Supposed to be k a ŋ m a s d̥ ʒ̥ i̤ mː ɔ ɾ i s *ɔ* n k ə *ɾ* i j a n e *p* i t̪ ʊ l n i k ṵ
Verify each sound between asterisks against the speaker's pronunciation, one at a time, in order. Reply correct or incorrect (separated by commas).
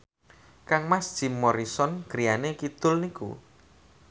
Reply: correct, correct, incorrect